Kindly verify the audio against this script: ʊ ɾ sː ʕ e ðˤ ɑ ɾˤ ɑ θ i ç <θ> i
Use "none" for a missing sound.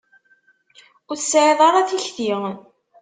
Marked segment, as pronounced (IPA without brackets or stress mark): θ